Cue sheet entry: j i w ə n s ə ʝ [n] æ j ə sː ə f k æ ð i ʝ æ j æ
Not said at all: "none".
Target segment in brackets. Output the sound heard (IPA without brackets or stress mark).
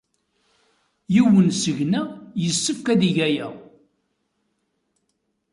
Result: n